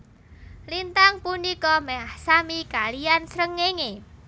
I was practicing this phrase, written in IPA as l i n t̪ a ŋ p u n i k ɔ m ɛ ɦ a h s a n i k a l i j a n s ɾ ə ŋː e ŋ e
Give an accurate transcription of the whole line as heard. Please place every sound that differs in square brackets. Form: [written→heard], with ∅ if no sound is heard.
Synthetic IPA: l i n t̪ a ŋ p u n i k ɔ m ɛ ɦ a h s a [n→m] i k a l i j a n s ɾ ə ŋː e ŋ e

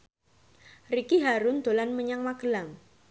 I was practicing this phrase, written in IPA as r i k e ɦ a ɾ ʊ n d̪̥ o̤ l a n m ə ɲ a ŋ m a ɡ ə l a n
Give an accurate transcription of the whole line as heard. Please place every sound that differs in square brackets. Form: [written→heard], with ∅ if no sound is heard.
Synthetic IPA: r i k [e→i] ɦ a ɾ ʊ n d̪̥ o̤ l a n m ə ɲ a ŋ m a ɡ ə l a [n→ŋ]

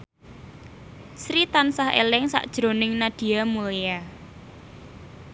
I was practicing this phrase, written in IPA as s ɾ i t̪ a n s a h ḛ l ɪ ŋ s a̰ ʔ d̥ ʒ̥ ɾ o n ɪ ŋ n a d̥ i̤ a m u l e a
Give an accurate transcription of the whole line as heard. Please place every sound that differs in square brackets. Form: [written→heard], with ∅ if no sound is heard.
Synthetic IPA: s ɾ i t̪ a n s a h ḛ l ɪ ŋ s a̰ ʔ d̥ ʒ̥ ɾ o n ɪ ŋ n a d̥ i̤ a m u l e a

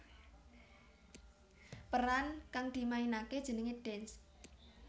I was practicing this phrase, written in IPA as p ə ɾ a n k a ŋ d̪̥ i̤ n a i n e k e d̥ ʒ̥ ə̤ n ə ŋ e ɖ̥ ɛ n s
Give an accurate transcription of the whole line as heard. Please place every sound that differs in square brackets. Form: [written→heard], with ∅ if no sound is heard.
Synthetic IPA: p ə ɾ a n k a ŋ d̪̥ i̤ [n→m] a i n [e→a] k e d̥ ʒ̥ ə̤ n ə ŋ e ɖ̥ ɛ n s

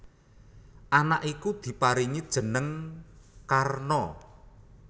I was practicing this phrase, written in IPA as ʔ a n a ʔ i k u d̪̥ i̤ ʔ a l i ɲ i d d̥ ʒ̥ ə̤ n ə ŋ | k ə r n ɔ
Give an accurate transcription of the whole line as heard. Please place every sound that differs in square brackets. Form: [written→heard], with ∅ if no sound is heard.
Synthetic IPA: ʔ a n a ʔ i k u d̪̥ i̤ [ʔ→p] a [l→ɾ] i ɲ i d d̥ ʒ̥ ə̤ n ə ŋ | k [ə→a] r n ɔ

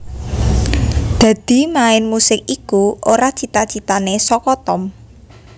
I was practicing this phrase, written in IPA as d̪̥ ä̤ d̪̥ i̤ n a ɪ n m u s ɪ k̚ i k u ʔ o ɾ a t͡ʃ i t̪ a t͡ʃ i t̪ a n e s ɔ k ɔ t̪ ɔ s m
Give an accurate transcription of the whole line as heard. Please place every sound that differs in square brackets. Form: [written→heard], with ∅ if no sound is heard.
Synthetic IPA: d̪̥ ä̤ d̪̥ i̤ [n→m] a ɪ n m u s ɪ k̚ i k u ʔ o ɾ a t͡ʃ i t̪ a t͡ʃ i t̪ a n e s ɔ k ɔ t̪ ɔ [s→∅] m

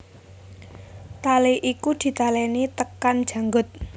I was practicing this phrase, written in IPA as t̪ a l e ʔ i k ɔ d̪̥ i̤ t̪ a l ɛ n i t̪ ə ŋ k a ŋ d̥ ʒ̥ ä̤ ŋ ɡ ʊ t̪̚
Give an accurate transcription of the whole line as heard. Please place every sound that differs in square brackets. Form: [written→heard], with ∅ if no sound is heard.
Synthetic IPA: t̪ a l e ʔ i k [ɔ→u] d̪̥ i̤ t̪ a l ɛ n i t̪ ə [ŋ→∅] k a [ŋ→n] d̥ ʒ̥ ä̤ ŋ ɡ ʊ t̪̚

